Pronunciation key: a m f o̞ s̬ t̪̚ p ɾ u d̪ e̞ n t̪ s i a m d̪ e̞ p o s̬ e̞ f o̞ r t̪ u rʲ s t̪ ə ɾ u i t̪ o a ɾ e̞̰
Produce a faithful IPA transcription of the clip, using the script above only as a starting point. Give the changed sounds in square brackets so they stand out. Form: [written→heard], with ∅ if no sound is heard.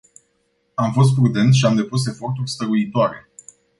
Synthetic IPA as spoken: a m f o̞ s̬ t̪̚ p ɾ u d̪ e̞ n t̪ [s→ʃ] i a m d̪ e̞ p [o→u] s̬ e̞ f o̞ r t̪ u rʲ s t̪ ə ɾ u i t̪ o a ɾ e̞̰